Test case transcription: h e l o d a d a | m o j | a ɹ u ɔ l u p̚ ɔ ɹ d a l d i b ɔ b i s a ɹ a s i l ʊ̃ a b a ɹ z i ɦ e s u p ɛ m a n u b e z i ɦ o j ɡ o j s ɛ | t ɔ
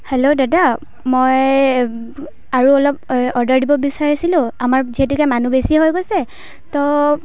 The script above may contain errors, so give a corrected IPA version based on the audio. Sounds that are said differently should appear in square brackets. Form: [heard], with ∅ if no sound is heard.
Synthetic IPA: h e l o d a d a | m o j | a ɹ u ɔ l [ɔ] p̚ ɔ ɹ d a [ɹ] d i b ɔ b i s a ɹ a s i l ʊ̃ a [m] a ɹ z i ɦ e [t] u [k] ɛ m a n u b e [s] i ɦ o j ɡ o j s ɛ | t ɔ